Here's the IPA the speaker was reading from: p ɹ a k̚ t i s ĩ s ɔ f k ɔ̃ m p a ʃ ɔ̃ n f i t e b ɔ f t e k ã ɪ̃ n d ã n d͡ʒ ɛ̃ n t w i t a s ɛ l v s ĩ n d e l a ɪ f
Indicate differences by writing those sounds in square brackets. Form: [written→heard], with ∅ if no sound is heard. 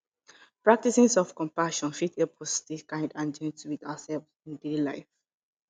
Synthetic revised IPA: p ɹ a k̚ t i s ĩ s ɔ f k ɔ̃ m p a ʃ ɔ̃ n f i t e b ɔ [f→s] t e k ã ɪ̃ n d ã n d͡ʒ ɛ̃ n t w i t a s ɛ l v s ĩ n d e l a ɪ f